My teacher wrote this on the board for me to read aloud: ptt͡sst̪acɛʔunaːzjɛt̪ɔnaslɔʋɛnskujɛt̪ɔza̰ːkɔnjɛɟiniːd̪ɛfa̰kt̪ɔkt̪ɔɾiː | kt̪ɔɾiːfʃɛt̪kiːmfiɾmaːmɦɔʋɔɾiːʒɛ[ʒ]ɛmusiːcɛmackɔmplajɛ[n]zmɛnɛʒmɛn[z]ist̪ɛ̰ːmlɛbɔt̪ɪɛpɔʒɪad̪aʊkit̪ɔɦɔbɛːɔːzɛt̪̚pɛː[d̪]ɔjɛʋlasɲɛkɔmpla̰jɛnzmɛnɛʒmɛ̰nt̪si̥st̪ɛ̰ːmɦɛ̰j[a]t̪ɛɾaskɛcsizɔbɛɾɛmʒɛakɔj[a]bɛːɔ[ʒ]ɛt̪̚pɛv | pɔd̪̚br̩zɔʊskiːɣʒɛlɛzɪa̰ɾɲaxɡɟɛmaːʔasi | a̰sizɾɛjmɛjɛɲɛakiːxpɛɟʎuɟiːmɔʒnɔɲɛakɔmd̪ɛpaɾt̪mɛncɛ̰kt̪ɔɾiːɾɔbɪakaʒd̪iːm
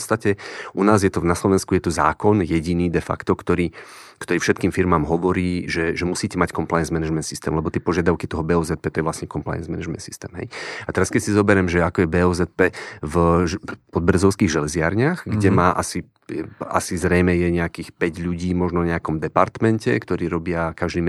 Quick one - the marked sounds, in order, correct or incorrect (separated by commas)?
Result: correct, correct, incorrect, incorrect, correct, incorrect, incorrect